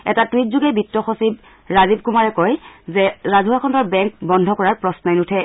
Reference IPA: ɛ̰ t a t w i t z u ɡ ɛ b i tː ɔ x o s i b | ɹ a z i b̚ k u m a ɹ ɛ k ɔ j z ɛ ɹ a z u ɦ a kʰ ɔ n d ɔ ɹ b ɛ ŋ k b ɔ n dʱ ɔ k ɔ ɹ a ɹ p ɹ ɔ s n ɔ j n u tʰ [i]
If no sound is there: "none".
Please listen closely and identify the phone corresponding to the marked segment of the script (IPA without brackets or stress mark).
ɛ